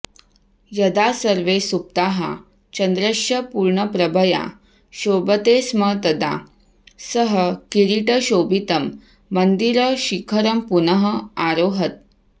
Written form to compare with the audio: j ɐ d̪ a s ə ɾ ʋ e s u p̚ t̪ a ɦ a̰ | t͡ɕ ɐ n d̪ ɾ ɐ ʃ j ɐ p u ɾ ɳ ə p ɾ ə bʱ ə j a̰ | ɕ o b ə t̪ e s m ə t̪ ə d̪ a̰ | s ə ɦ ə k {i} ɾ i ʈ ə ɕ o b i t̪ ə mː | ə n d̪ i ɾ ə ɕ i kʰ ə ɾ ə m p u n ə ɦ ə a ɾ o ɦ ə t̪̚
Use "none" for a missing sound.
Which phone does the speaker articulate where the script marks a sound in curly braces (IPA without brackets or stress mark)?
i